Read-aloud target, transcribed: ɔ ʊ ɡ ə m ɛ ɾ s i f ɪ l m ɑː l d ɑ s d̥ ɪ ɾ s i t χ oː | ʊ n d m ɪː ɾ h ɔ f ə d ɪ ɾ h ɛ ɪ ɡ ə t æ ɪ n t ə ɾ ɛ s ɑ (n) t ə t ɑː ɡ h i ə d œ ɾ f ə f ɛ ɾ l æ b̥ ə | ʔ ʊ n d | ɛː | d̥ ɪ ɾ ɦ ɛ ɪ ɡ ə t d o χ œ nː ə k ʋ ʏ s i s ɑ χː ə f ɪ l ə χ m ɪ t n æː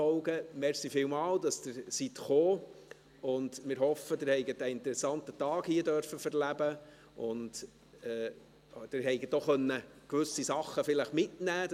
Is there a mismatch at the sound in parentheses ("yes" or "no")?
no